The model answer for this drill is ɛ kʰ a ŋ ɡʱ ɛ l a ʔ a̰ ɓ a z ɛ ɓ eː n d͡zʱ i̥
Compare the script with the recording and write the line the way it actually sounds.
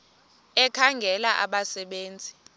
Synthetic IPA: ɛ kʰ a ŋ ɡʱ ɛ l a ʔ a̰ ɓ a s ɛ ɓ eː n d͡zʱ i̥